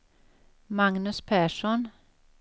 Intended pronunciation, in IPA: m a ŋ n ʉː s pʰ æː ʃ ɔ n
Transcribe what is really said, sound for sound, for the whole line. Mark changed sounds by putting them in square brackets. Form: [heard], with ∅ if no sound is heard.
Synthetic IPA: m [ɑ] ŋ n [ʉ] s pʰ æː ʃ ɔ n